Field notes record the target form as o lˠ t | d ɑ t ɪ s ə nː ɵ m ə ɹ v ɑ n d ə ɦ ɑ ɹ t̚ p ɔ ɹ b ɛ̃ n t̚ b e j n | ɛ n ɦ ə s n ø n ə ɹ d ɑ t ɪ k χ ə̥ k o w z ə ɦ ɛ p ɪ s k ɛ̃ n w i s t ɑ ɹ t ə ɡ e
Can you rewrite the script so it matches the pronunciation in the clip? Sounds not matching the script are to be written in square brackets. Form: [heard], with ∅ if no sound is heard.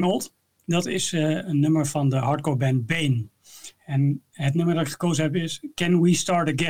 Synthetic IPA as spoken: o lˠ t | d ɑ t ɪ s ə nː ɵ m ə ɹ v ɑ n d ə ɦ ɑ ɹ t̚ [k] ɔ ɹ b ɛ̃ n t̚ b e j n | ɛ n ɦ ə [t] n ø [m] ə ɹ d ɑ t ɪ k χ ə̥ k o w z ə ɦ ɛ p ɪ s k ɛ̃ n w i s t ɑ ɹ t ə ɡ [ɛ]